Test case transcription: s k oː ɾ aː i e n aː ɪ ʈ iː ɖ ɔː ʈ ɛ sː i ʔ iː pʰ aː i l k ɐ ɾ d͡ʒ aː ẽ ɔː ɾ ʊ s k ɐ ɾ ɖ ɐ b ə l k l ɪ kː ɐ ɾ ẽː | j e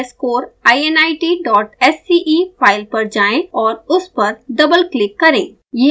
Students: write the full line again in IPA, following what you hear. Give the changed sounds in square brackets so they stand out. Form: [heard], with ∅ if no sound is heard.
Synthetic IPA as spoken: s k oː ɾ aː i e n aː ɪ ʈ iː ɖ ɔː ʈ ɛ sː i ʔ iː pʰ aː [ɪ] l [p] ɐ ɾ d͡ʒ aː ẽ ɔː ɾ ʊ s [p] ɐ ɾ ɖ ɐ b ə l k l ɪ kː ɐ ɾ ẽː | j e